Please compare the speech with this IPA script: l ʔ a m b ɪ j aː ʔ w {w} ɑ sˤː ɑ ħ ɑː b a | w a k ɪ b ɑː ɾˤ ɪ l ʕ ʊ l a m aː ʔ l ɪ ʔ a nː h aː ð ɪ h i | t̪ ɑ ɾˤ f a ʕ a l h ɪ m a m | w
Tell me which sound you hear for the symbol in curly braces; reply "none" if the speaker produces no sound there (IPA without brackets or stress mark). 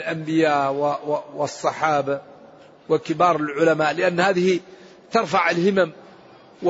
w